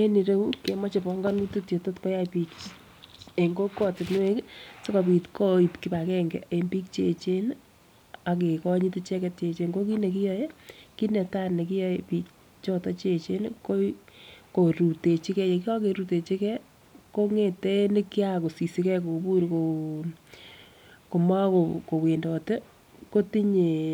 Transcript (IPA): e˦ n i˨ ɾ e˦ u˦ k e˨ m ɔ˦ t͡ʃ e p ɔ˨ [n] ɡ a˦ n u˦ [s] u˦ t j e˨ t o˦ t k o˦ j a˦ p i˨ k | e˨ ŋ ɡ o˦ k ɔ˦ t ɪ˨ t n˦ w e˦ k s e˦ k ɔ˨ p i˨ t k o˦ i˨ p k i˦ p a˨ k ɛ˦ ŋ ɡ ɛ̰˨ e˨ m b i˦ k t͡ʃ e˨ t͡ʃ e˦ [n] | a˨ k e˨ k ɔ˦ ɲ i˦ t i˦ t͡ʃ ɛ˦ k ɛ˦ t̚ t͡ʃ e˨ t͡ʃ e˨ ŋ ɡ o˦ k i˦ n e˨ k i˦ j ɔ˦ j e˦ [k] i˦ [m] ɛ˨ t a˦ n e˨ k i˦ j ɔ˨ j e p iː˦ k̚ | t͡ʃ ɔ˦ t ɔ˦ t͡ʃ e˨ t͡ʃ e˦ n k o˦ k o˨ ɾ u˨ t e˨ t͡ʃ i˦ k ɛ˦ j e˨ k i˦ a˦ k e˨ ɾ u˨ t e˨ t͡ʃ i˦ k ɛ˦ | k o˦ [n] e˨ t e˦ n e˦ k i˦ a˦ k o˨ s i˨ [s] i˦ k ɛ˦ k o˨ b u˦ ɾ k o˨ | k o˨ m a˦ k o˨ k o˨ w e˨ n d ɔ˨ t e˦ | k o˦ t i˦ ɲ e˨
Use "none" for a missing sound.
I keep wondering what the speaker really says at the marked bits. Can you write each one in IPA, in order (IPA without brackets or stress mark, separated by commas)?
ŋ, t, n, k, n, ŋ, s